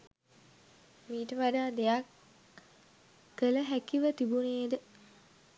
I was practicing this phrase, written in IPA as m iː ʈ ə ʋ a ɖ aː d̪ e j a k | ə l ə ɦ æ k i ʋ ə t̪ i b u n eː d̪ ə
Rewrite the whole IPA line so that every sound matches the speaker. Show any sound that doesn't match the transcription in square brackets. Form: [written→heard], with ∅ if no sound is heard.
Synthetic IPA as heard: m iː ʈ ə ʋ a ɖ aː d̪ e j a k | ə l ə ɦ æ k i ʋ ə t̪ i b u n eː d̪ ə